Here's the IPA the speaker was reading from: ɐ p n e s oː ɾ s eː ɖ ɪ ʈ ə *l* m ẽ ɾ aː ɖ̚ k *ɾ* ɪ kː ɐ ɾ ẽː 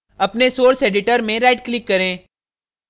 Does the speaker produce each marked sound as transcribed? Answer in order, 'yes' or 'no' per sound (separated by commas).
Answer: no, no